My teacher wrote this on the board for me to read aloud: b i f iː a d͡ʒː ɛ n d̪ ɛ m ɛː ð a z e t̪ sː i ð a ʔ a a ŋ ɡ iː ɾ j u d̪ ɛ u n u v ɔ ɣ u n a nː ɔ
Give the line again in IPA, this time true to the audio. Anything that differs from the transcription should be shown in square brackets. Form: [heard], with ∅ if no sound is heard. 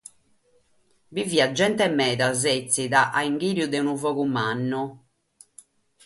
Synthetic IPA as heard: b i [v] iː a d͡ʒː ɛ n [t̪] ɛ m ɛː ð a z e t̪ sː i ð a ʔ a [i] ŋ ɡ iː ɾ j u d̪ ɛ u n u v ɔ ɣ u [m] a nː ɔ